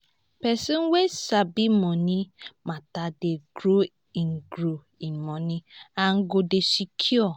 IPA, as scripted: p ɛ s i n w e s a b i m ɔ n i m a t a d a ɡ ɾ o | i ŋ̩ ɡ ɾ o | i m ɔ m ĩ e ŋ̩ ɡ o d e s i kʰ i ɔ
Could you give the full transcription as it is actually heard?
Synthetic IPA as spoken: p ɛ s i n w e s a b i m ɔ n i m a t a d e ɡ ɾ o | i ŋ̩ ɡ ɾ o | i m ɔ n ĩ a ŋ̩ ɡ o d e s i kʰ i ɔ